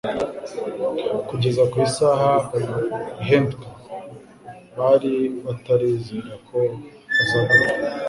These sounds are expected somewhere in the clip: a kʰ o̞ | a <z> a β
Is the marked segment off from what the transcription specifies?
no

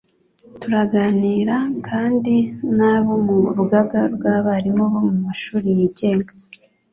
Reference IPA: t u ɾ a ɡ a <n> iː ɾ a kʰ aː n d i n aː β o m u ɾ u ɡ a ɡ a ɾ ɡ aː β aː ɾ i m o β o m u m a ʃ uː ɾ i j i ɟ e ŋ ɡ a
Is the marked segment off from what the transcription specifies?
no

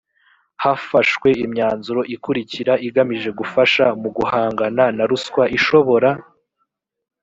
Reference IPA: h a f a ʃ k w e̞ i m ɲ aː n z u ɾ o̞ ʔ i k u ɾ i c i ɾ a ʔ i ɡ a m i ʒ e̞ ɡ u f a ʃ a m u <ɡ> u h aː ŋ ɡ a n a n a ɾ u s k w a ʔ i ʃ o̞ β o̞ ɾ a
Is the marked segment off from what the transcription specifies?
no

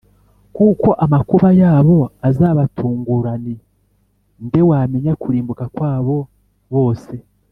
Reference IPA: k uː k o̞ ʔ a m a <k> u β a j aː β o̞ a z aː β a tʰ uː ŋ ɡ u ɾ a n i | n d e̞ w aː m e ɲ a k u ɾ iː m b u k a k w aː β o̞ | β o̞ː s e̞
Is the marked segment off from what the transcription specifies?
no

